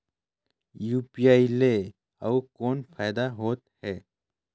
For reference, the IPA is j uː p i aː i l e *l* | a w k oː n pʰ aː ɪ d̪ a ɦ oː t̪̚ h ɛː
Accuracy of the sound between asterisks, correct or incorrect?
incorrect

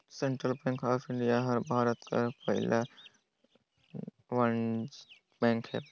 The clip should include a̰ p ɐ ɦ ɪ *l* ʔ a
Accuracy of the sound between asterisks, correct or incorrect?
correct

